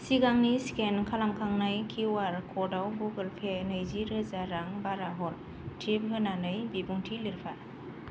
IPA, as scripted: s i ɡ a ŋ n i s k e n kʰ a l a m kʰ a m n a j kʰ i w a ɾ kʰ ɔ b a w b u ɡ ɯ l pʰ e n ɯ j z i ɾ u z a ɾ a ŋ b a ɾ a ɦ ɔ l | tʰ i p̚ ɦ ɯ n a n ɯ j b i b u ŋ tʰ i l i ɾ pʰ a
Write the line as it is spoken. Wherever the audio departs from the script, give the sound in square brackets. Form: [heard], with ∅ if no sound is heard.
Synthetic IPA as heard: s i ɡ a ŋ n i s k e n kʰ a l a m kʰ a [ŋ] n a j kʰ i w a ɾ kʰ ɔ [d] a w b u ɡ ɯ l pʰ e n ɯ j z i ɾ [ɯ] z a ɾ a ŋ b a ɾ a ɦ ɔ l | tʰ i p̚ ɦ ɯ n a n ɯ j b i b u ŋ tʰ i l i ɾ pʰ a